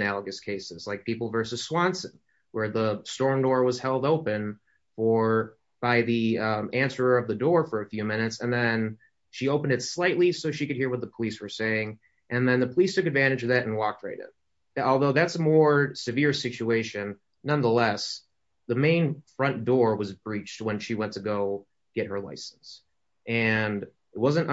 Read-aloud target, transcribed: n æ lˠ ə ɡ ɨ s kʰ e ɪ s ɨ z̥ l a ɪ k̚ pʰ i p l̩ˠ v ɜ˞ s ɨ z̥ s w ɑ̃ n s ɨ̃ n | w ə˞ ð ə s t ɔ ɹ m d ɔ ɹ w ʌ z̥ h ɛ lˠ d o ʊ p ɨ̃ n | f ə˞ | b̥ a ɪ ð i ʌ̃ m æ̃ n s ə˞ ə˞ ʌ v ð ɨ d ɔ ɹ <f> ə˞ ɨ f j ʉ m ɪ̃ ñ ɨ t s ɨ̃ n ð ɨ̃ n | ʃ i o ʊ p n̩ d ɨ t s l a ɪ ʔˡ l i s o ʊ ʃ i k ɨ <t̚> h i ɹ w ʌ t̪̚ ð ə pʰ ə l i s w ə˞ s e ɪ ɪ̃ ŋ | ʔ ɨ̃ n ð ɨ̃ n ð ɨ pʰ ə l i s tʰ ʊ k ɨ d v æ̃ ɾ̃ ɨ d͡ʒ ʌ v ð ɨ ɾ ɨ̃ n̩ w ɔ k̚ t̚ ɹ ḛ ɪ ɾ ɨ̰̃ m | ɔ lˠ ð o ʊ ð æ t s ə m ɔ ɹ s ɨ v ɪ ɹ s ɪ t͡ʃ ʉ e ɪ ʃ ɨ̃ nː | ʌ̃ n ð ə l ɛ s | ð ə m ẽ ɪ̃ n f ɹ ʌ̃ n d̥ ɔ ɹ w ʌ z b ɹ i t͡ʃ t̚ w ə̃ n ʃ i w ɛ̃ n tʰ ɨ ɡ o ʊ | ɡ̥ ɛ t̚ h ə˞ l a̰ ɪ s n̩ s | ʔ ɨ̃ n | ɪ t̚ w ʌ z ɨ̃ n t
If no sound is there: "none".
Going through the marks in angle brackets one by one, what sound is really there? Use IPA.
f, d̚

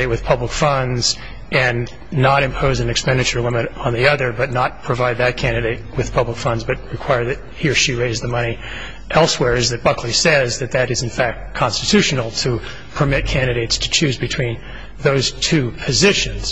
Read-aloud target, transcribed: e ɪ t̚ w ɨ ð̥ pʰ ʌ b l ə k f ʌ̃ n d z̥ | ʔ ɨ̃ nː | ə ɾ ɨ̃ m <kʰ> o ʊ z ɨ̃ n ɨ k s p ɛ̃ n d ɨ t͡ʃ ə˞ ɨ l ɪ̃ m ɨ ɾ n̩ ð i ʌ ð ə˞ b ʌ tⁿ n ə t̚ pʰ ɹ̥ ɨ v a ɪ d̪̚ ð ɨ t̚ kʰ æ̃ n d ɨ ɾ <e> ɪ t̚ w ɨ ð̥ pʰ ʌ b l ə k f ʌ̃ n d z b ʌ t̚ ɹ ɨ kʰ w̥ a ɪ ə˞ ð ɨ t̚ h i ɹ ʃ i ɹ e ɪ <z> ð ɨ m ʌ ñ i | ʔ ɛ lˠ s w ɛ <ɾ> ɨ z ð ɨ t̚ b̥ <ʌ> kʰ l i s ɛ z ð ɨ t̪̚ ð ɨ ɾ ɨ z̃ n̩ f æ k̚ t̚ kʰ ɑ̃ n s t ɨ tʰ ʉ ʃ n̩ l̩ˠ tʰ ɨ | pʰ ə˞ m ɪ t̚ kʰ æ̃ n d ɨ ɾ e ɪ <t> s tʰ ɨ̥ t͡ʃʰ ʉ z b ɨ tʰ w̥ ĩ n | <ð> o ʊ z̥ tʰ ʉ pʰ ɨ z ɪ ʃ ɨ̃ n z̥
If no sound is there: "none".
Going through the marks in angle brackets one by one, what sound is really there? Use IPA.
pʰ, e, z, ɹ, ʌ, t, ð

